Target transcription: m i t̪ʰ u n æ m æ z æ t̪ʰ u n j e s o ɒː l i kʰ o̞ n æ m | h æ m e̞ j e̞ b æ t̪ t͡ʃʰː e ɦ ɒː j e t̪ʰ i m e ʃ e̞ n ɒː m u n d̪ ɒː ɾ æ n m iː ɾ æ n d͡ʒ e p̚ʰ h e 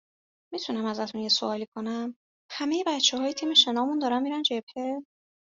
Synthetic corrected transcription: m i t̪ʰ u n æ m æ z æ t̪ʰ u n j e s o ɒː l i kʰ o̞ n æ m | h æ m e̞ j e̞ b æ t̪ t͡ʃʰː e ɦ ɒː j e t̪ʰ i m e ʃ e̞ n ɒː m u n d̪ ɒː ɾ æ n m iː ɾ æ n d͡ʒ e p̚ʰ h e

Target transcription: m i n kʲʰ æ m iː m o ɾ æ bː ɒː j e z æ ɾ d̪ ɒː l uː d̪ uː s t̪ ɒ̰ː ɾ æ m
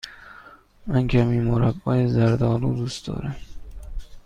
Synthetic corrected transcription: m æ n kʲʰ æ m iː m o ɾ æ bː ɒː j e z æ ɾ d̪ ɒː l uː d̪ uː s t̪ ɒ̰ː ɾ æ m

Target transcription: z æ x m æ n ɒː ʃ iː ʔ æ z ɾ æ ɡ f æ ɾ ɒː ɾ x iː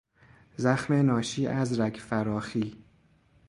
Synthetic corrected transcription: z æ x m e n ɒː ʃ iː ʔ æ z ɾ æ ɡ f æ ɾ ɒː x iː

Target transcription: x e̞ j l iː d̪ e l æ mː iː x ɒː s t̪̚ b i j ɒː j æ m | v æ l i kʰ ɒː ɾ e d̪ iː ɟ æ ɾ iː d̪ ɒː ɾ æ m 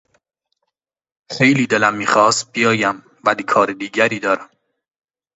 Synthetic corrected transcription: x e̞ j l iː d̪ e l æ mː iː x ɒː s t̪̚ b i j ɒː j æ m | v æ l i kʰ ɒː ɾ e d̪ iː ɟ æ ɾ iː d̪ ɒː ɾ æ m

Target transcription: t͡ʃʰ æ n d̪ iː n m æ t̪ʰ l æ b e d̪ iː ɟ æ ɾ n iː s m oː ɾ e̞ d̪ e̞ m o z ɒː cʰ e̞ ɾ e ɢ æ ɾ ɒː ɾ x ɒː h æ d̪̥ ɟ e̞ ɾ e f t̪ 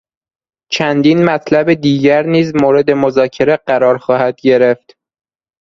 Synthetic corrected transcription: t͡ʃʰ æ n d̪ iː n m æ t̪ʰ l æ b e d̪ iː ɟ æ ɾ n iː z m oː ɾ e̞ d̪ e̞ m o z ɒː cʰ e̞ ɾ e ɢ æ ɾ ɒː ɾ x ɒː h æ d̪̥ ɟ e̞ ɾ e f t̪

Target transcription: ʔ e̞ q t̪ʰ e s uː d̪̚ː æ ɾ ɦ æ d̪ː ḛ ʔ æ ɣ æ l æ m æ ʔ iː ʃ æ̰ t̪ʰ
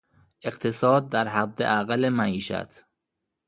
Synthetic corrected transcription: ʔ e̞ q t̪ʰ e s ɒː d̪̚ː æ ɾ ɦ æ d̪ː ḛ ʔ æ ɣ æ l e m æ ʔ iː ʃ æ̰ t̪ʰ

